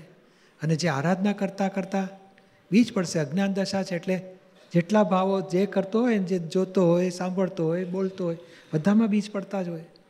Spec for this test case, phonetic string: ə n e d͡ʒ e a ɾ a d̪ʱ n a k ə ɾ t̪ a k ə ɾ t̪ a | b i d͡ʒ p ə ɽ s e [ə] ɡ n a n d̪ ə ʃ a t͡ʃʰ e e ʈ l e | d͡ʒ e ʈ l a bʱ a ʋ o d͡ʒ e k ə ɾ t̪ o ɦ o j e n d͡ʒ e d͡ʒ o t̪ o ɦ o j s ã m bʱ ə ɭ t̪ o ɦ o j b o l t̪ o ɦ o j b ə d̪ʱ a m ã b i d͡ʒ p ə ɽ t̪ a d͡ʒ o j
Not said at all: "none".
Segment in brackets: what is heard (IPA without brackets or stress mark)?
ə